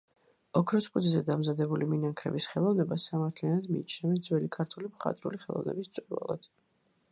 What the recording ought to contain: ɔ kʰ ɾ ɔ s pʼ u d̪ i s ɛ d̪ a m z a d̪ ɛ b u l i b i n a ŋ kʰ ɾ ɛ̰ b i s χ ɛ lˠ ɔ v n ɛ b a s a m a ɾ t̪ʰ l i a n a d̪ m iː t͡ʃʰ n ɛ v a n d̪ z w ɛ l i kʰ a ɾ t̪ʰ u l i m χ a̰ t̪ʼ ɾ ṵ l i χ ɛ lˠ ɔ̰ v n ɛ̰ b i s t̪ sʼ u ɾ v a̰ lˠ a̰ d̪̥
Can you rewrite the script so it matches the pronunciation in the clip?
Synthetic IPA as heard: ɔ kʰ ɾ ɔ s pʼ u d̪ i z ɛ d̪ a m z a d̪ ɛ b u l i m i n a ŋ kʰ ɾ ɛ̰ b i s χ ɛ lˠ ɔ v n ɛ b a s a m a ɾ t̪ʰ l i a n a d̪ m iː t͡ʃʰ n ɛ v ɛ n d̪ z w ɛ l i kʰ a ɾ t̪ʰ u l i m χ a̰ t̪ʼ ɾ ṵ l i χ ɛ lˠ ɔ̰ v n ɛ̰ b i s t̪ sʼ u ɾ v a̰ lˠ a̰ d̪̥